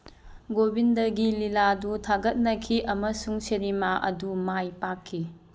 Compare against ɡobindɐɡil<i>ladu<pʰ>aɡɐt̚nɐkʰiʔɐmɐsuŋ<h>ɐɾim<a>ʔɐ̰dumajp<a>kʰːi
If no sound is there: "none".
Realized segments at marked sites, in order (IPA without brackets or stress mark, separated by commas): i, tʰ, s, a, a